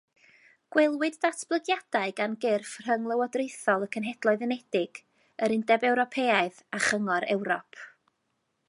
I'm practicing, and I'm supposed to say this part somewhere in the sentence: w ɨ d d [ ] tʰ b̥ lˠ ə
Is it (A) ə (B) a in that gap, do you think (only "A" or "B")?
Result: B